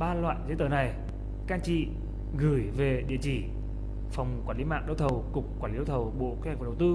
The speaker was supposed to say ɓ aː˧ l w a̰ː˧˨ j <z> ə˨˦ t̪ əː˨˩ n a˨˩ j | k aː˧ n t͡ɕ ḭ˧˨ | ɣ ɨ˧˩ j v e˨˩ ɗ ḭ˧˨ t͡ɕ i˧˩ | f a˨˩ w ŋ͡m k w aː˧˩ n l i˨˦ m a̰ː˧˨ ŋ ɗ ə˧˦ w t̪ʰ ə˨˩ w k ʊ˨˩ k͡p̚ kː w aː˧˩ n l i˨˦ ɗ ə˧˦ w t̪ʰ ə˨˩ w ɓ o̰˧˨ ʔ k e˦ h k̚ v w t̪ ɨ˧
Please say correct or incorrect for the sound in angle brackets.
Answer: correct